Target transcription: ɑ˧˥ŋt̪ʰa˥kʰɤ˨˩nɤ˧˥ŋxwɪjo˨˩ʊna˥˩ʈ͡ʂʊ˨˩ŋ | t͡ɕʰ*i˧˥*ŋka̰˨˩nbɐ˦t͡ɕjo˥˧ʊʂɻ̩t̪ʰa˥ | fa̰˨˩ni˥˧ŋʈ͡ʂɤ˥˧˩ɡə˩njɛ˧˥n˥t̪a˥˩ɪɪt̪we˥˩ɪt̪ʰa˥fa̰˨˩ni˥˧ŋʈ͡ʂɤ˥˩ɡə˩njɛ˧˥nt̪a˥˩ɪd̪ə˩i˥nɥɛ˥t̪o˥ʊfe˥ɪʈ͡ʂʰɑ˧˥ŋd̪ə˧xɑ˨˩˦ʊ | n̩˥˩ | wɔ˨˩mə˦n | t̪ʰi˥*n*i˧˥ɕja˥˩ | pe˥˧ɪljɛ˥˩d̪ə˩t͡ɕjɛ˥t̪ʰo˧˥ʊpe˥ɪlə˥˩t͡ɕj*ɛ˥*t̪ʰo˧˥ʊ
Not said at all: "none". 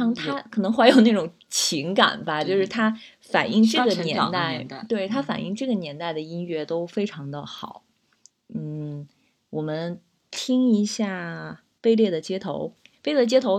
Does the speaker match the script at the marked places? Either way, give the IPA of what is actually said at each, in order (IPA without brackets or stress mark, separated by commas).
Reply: i˧˥, ŋ, ɛ˥